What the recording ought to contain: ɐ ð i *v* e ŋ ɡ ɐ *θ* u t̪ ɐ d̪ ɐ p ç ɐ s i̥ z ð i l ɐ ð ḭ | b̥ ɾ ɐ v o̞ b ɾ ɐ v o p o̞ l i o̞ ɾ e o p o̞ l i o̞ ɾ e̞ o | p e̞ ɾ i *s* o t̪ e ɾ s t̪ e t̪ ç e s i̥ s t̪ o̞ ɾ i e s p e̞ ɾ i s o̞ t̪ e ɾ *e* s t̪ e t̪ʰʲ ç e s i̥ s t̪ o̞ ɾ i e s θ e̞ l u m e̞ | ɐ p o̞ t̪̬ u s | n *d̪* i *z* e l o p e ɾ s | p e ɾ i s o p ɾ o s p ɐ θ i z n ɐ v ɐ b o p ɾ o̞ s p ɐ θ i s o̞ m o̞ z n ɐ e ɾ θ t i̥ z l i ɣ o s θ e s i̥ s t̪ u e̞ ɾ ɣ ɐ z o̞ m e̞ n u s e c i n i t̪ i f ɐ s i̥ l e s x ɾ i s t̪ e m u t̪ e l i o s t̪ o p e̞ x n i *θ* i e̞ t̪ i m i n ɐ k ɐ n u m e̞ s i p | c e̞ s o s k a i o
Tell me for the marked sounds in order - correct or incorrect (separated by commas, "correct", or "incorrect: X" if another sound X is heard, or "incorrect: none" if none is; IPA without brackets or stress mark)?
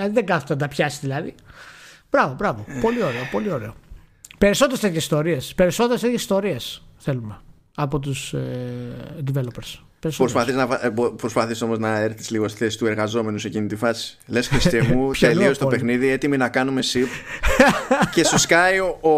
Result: incorrect: ð, correct, correct, correct, correct, incorrect: v, incorrect: ð